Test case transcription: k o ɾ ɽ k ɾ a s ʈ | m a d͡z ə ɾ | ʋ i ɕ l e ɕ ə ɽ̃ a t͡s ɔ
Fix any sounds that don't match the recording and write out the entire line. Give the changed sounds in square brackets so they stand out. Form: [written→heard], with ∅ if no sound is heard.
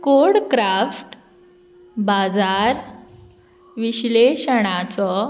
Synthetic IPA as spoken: k o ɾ ɽ k ɾ a [s→f] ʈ | [m→b] a d͡z [ə→a] ɾ | ʋ i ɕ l e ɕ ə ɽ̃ a t͡s ɔ